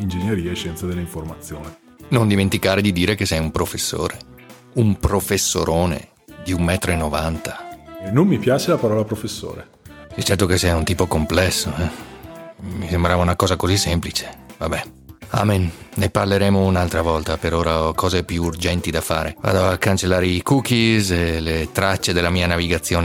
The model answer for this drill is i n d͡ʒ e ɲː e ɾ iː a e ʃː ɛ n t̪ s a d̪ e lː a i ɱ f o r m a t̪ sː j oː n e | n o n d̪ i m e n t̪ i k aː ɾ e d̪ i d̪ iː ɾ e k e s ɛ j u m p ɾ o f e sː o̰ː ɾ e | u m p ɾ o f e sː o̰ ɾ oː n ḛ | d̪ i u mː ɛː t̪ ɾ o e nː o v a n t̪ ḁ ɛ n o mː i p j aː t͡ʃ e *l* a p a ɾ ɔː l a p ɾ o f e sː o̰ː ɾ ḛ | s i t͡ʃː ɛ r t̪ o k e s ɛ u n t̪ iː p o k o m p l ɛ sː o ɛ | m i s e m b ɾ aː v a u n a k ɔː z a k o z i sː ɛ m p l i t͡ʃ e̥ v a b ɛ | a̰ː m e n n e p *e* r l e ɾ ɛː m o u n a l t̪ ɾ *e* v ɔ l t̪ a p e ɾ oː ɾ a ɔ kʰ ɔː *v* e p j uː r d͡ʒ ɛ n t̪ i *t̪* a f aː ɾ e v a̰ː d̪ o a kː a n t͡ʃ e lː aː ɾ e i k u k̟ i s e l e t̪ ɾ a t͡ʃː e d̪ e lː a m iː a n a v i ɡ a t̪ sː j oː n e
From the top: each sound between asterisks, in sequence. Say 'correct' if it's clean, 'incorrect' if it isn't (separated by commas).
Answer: correct, incorrect, incorrect, incorrect, incorrect